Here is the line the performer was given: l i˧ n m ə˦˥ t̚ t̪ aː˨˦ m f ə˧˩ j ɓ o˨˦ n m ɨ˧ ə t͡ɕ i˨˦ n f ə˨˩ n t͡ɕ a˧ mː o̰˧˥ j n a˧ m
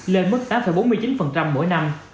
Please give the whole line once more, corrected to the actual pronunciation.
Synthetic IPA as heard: l e˧ n m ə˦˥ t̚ t̪ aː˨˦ m f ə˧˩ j ɓ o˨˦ n m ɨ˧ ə t͡ɕ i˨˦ n f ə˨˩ n t͡ɕ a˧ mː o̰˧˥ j n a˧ m